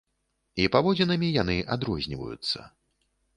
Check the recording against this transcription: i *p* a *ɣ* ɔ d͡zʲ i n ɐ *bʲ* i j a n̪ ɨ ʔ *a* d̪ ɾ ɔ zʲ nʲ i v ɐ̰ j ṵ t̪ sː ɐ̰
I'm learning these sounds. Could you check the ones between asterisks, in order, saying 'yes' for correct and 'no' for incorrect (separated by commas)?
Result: yes, no, no, yes